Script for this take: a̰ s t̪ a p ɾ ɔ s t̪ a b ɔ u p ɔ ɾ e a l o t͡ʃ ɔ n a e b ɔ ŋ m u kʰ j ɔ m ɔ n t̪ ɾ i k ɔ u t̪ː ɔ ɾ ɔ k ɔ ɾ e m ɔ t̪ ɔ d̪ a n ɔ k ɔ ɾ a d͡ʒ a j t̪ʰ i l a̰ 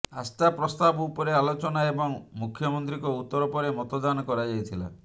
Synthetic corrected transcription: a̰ s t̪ a p ɾ ɔ s t̪ a b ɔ u p ɔ ɾ e a l o t͡ʃ ɔ n a e b ɔ ŋ m u kʰ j ɔ m ɔ n t̪ ɾ i k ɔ u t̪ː ɔ ɾ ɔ p ɔ ɾ e m ɔ t̪ ɔ d̪ a n ɔ k ɔ ɾ a d͡ʒ a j t̪ʰ i l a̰